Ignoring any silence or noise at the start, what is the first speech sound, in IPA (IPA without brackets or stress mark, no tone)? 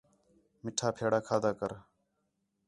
m